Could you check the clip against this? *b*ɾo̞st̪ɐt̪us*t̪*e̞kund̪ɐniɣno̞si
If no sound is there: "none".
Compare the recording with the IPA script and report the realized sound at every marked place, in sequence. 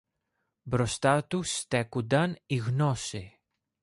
b, t̪

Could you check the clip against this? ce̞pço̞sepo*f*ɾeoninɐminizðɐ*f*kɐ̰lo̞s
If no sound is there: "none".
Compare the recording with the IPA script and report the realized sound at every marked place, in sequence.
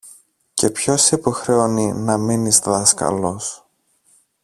x, s

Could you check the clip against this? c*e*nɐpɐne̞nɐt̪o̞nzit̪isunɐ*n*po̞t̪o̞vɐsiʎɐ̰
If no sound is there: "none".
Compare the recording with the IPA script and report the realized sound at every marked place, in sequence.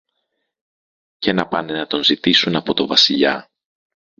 e, none

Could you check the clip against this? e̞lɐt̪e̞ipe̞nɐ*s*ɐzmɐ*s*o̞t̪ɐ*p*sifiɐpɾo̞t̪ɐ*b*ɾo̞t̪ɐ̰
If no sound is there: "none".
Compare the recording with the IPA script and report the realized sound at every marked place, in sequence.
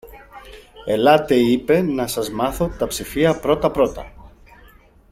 s, θ, p, p

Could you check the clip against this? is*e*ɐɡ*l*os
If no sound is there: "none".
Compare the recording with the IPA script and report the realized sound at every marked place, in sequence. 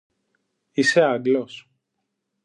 e, l

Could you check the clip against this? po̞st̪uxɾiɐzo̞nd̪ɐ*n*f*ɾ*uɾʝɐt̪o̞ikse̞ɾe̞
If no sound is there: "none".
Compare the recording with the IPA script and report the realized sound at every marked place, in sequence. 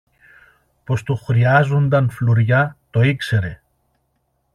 n, l

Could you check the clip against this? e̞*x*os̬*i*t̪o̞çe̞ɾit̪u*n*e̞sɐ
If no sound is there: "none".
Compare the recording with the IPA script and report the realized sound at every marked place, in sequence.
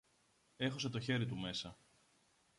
x, e, m

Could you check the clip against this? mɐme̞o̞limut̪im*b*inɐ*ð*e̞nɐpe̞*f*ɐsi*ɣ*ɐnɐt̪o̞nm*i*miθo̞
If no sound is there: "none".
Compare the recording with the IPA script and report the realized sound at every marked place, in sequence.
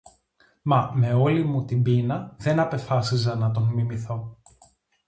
b, ð, f, z, i

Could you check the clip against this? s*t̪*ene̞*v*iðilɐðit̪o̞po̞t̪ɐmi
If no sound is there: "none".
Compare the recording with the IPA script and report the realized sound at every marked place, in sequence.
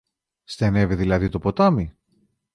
t̪, v

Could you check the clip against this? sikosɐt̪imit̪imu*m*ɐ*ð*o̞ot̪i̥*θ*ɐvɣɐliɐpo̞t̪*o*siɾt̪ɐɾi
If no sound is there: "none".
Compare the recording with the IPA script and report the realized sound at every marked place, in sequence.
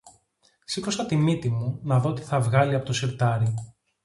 n, ð, θ, o

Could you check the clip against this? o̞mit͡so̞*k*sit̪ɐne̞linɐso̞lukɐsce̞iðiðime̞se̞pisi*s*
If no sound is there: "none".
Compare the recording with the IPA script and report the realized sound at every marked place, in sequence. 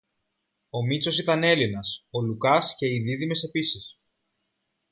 none, s

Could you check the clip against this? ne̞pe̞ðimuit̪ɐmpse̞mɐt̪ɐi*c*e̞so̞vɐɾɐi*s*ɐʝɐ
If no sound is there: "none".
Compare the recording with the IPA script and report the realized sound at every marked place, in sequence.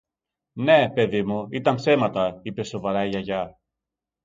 p, none

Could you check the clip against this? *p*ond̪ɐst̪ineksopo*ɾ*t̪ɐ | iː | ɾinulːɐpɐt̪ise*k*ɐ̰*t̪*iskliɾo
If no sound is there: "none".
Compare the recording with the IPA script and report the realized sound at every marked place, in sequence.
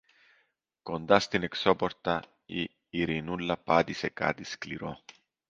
k, ɾ, k, t̪

